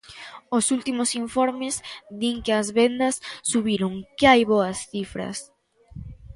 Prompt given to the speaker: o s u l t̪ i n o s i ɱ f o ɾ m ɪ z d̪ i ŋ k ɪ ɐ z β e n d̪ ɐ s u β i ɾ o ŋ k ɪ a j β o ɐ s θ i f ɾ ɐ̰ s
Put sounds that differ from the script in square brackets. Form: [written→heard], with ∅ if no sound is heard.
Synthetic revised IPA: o s u l t̪ i [n→m] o s i ɱ f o ɾ m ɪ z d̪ i ŋ k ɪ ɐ z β e n d̪ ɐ [s→sː] u β i ɾ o ŋ k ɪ a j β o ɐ s θ i f ɾ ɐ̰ s